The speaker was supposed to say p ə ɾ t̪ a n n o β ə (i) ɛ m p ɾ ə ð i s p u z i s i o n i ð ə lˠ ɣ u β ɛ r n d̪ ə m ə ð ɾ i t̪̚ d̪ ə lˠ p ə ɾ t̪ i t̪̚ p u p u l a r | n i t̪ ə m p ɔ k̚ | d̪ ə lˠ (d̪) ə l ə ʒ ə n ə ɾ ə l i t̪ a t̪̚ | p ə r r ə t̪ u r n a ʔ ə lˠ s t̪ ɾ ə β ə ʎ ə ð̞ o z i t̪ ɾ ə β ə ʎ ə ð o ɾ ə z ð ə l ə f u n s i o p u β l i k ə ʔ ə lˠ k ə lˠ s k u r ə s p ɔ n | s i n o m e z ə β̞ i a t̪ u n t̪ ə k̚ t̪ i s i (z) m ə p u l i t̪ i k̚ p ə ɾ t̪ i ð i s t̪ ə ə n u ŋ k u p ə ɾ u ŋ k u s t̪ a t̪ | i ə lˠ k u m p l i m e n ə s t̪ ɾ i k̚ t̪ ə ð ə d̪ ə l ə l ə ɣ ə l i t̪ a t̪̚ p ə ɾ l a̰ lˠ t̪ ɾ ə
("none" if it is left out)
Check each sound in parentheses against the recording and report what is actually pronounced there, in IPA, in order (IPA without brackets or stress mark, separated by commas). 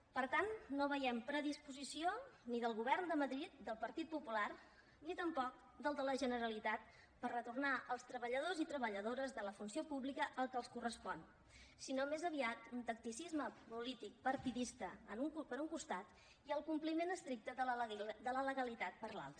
j, d̪, z